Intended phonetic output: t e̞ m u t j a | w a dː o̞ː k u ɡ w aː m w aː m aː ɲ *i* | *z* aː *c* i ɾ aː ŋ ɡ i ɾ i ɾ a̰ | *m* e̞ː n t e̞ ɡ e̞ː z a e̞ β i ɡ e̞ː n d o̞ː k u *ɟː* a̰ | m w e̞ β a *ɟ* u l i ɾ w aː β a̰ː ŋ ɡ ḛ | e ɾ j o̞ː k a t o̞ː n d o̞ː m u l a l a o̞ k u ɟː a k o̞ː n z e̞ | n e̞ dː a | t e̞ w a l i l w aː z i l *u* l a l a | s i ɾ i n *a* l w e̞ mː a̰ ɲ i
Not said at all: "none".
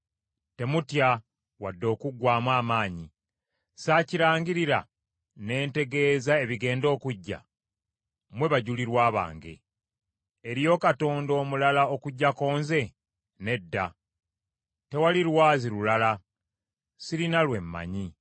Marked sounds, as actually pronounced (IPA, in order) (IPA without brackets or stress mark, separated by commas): i, s, c, n, ɟː, ɟ, u, a